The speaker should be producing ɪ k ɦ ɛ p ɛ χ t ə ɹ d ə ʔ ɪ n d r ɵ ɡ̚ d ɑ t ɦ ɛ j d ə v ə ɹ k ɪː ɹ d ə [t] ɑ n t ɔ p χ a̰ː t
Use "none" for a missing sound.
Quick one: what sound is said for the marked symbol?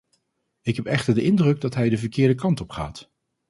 k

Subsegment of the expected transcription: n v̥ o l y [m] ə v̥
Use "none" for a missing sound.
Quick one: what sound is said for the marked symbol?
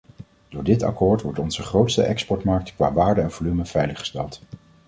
m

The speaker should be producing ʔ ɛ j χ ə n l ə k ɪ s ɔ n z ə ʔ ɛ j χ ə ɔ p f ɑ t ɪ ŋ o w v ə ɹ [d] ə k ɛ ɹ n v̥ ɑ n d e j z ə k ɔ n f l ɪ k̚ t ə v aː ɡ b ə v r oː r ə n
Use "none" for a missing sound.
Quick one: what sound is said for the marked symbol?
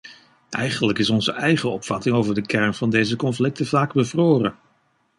d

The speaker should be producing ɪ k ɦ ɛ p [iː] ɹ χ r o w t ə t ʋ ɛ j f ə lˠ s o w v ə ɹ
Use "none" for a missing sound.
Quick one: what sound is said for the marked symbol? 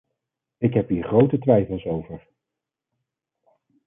iː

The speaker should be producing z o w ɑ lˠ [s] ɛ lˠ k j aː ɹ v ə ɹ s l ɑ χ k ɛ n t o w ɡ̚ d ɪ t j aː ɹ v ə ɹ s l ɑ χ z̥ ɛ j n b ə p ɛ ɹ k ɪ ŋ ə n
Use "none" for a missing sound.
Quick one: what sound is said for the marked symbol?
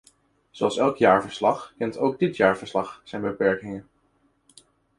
s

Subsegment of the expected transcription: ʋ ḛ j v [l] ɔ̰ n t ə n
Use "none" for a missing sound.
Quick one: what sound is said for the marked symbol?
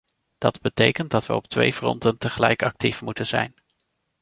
r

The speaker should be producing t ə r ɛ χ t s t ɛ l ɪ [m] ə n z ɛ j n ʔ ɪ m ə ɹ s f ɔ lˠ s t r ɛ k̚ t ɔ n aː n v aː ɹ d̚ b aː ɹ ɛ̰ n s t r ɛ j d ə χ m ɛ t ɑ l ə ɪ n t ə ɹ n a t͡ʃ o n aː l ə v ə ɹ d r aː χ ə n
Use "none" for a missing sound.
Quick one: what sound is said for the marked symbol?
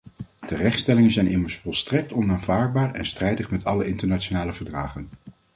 ŋ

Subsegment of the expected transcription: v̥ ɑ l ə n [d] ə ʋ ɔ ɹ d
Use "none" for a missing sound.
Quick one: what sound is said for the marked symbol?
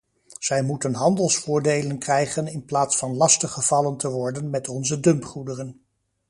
t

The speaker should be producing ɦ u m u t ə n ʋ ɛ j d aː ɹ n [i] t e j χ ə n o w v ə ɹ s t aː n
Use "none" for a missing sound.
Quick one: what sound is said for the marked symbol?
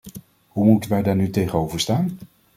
y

